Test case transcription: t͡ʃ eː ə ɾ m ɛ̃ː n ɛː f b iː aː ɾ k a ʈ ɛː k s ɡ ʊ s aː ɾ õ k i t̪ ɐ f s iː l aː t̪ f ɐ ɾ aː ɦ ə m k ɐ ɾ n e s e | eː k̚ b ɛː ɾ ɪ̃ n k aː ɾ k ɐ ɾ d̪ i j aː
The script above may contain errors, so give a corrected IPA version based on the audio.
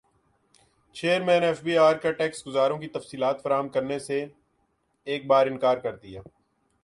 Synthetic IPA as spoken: t͡ʃ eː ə ɾ m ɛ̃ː n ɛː f b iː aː ɾ k a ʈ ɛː k s ɡ ʊ z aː ɾ õ k i t̪ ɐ f s iː l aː t̪ f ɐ ɾ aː ɦ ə m k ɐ ɾ n e s e | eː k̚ b aː ɾ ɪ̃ n k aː ɾ k ɐ ɾ d̪ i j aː

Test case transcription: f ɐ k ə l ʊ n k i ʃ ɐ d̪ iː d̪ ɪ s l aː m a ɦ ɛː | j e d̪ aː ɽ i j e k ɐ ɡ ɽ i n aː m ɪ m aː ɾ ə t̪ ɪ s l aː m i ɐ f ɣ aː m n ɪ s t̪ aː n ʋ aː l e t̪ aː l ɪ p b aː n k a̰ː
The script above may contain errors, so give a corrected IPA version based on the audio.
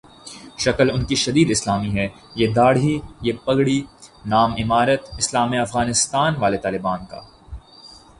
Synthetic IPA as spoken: ʃ ɐ k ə l ʊ n k i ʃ ɐ d̪ iː d̪ ɪ s l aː m i ɦ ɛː | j e d̪ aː ɽ i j e p ɐ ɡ ɽ i n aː m ɪ m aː ɾ ə t̪ ɪ s l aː m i ɐ f ɣ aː n ɪ s t̪ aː n ʋ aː l e t̪ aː l ɪ b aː n k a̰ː

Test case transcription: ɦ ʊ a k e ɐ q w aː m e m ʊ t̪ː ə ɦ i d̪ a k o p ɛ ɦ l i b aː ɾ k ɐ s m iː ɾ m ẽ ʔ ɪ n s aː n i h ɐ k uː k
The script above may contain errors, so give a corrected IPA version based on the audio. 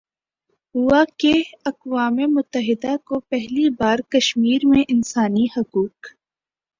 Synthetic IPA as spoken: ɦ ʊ a k e ɐ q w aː m e m ʊ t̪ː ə ɦ ɪ d̪ a k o p ɛ ɦ l i b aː ɾ k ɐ ʃ m iː ɾ m ẽ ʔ ɪ n s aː n i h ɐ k uː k

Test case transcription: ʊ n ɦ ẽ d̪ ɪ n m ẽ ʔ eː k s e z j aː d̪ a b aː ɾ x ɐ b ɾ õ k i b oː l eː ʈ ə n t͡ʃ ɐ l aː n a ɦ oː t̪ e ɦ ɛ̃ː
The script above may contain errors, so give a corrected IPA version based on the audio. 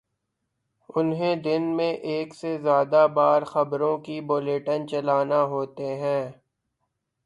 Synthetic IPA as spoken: ʊ n ɦ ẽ d̪ ɪ n m ẽ ʔ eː k s e z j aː d̪ a b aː ɾ x ɐ b ɾ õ k i b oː l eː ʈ ə n t͡ʃ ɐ l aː n a ɦ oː t̪ e ɦ ɛ̃ː

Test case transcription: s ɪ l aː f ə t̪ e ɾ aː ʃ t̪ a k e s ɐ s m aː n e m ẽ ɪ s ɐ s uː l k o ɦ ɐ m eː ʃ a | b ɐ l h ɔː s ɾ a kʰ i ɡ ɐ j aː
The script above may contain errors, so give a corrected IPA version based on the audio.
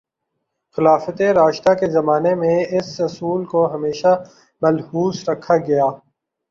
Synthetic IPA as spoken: x ɪ l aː f ə t̪ e ɾ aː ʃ t̪ a k e z ɐ m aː n e m ẽ ɪ s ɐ s uː l k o ɦ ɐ m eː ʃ a | m ɐ l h uː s ɾ ɐ kʰ a ɡ ɐ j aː

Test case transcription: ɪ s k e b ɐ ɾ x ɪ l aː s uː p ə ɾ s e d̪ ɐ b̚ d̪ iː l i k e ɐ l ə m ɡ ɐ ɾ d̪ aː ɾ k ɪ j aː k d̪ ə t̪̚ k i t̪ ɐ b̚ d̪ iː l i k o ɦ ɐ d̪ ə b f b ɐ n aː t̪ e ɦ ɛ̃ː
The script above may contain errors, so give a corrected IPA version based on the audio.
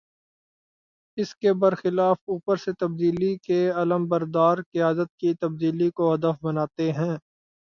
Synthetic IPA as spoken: ɪ s k e b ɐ ɾ x ɪ l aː f uː p ə ɾ s e t̪ ɐ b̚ d̪ iː l i k e ɐ l ə m b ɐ ɾ d̪ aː ɾ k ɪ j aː d̪ ə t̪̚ k i t̪ ɐ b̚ d̪ iː l i k o ɦ ɐ d̪ ə f b ɐ n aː t̪ e ɦ ɛ̃ː

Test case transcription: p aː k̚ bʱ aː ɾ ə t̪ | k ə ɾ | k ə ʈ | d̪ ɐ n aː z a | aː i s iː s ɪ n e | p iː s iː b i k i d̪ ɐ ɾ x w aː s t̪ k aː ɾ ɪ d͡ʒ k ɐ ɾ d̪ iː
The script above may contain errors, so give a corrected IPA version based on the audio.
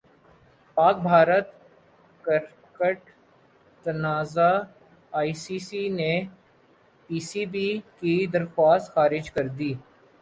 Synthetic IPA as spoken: p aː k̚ bʱ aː ɾ ə t̪ | k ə ɾ | k ə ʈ | t̪ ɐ n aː z a | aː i s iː s i n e | p iː s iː b i k i d̪ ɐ ɾ x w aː s t̪ x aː ɾ ɪ d͡ʒ k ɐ ɾ d̪ iː

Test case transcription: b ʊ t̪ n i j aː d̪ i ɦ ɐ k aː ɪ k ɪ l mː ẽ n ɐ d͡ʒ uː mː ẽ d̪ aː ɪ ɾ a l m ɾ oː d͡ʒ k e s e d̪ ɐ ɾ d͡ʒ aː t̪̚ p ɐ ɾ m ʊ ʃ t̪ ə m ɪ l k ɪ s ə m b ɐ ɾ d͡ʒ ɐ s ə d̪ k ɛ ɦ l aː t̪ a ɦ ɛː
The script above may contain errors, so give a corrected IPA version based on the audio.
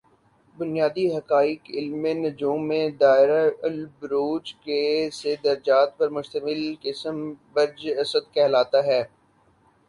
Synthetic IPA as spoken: b ʊ n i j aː d̪ i ɦ ɐ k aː ɪ k ɪ l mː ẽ n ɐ d͡ʒ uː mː ẽ d̪ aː ɪ ɾ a l b ɾ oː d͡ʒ k e s e d̪ ɐ ɾ d͡ʒ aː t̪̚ p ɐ ɾ m ʊ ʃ t̪ ə m ɪ l k ɪ s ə m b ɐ ɾ d͡ʒ ɐ s ə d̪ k ɛ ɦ l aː t̪ a ɦ ɛː

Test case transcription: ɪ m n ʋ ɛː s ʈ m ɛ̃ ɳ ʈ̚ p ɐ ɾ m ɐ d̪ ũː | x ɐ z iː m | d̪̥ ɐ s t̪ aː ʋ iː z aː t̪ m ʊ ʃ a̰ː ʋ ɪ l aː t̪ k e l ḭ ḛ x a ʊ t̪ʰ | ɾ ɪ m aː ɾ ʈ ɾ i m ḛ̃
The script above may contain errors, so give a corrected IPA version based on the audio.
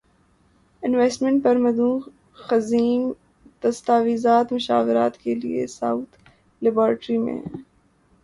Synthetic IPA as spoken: ɪ n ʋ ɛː s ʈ m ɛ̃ ɳ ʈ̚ p ɐ ɾ m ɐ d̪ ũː | x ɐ z iː m | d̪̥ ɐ s t̪ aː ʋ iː z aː t̪ m ʊ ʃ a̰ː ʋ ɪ ɾ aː t̪ k e l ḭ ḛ s a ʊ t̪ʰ | l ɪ b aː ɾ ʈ ɾ i m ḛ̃

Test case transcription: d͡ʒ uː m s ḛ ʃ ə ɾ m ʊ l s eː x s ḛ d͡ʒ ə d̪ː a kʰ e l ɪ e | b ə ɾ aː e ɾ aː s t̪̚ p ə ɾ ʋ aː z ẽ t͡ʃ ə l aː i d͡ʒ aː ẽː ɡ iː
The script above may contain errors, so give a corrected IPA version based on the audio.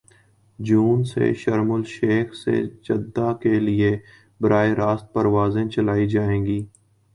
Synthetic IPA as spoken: d͡ʒ uː n s ḛ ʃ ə ɾ m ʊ l ʃ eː x s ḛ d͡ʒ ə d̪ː a k e l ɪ e | b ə ɾ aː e ɾ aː s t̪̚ p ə ɾ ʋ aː z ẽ t͡ʃ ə l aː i d͡ʒ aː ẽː ɡ iː

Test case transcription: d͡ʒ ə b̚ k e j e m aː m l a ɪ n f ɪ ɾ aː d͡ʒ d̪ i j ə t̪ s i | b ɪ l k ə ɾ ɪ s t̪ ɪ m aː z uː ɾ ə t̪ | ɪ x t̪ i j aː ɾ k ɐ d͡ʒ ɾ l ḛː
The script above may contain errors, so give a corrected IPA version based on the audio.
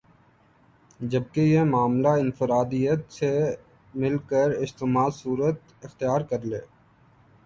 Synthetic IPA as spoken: d͡ʒ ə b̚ k e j e m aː m l a ɪ n f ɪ ɾ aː d̪ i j ə t̪ s e | m ɪ l k ə ɾ ɪ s t̪ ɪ m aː s uː ɾ ə t̪ | ɪ x t̪ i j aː ɾ k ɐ ɾ l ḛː

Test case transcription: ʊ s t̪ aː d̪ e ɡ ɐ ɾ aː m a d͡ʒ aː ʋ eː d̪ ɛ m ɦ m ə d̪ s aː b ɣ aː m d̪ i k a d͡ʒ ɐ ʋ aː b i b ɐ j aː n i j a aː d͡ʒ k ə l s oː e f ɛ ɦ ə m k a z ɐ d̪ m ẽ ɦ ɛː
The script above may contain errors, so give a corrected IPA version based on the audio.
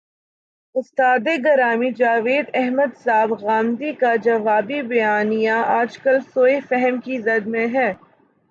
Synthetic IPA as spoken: ʊ s t̪ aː d̪ e ɡ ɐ ɾ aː m i d͡ʒ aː ʋ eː d̪ ɛ ɦ m ə d̪ s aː b ɣ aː m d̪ i k a d͡ʒ ɐ ʋ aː b i b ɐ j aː n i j a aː d͡ʒ k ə l s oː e f ɛ ɦ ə m k i z ɐ d̪ m ẽ ɦ ɛː

